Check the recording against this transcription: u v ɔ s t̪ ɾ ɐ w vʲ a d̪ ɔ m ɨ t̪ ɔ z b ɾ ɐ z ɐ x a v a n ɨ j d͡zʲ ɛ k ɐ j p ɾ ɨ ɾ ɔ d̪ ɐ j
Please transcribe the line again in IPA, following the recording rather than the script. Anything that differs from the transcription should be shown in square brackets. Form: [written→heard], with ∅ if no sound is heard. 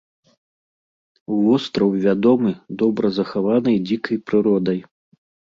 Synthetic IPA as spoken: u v ɔ s t̪ ɾ ɐ w vʲ a d̪ ɔ m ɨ [t̪→d̪] ɔ [z→∅] b ɾ ɐ z ɐ x a v a n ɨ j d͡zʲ [ɛ→i] k ɐ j p ɾ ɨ ɾ ɔ d̪ ɐ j